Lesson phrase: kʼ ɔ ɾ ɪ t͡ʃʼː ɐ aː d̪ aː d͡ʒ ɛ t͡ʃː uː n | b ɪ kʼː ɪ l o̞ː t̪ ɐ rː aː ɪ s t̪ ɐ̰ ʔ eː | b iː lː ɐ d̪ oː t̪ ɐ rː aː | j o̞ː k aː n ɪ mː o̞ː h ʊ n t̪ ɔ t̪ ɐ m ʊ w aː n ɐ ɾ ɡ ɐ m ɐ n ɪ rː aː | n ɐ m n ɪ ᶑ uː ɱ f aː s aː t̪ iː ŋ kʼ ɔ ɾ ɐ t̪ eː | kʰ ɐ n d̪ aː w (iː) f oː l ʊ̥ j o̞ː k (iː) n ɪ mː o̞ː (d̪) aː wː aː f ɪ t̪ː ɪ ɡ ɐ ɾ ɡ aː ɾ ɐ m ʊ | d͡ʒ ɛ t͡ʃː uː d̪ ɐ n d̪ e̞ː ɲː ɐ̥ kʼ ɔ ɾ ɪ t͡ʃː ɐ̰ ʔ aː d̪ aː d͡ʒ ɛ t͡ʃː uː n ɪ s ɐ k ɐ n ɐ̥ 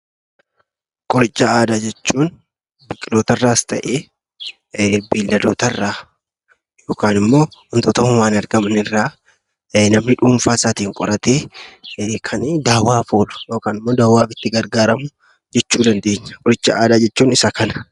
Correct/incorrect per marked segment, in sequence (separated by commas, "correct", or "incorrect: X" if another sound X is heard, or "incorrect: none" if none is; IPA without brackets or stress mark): incorrect: aː, incorrect: aː, correct